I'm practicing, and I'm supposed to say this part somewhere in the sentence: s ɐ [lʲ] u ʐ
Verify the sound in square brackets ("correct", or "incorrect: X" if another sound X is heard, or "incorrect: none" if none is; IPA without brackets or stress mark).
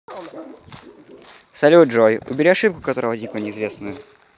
correct